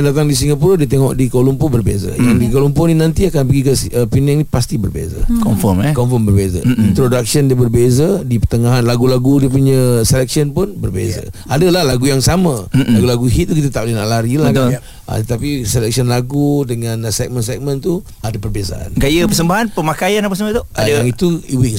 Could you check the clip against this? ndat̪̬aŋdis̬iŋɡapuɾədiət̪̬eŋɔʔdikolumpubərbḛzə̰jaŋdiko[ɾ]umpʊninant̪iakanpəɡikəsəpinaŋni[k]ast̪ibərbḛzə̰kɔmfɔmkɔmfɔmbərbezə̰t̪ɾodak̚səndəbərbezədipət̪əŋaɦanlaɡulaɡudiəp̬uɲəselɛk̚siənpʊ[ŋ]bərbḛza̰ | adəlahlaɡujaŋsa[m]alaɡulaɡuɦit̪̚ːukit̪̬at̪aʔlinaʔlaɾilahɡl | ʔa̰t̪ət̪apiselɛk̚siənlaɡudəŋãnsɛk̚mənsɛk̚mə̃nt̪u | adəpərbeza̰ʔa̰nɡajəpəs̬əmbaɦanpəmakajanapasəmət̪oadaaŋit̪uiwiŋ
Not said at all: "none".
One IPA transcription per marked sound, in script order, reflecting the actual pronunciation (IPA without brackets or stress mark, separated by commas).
l, p, n, m